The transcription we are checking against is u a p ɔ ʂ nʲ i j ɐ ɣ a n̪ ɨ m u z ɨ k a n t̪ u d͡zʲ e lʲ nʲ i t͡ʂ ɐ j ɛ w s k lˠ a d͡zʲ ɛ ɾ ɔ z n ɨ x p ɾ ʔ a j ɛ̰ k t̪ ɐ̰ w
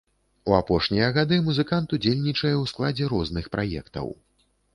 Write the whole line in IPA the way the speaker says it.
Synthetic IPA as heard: u a p ɔ ʂ nʲ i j ɐ ɣ a d̪ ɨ m u z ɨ k a n t̪ u d͡zʲ e lʲ nʲ i t͡ʂ ɐ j ɛ w s k lˠ a d͡zʲ ɛ ɾ ɔ z n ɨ x p ɾ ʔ a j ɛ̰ k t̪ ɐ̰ w